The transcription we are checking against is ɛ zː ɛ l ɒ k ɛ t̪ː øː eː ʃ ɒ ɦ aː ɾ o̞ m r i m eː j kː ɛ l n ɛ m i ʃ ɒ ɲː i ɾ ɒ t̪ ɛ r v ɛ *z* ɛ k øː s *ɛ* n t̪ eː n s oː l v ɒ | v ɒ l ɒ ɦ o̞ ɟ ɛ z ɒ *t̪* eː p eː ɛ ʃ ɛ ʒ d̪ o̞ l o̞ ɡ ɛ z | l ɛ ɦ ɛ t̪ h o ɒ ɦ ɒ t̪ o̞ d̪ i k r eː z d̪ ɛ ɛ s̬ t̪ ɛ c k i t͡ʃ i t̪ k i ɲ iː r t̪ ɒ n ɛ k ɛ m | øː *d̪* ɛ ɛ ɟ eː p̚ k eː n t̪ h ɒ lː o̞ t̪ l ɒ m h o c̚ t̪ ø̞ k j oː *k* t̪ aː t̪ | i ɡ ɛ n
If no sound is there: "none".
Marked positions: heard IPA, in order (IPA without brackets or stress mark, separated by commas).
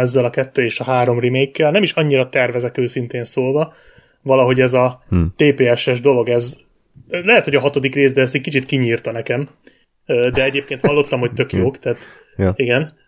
z, i, t̪, d̪, k